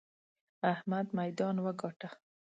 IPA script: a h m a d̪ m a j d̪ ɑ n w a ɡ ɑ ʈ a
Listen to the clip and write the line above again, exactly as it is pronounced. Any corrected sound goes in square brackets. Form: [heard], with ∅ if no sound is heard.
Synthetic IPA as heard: a h m a d̪ m a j d̪ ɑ n w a ɡ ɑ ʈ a